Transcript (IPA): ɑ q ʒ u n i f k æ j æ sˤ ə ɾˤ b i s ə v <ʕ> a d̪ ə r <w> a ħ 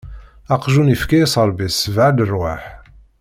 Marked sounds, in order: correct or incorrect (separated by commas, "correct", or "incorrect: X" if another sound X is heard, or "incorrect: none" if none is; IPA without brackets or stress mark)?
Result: correct, correct